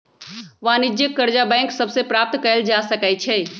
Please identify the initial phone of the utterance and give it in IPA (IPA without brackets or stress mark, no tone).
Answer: ʋ